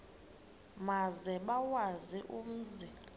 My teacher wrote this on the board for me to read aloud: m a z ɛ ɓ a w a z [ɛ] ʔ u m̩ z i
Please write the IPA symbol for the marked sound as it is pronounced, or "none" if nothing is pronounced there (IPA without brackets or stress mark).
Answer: i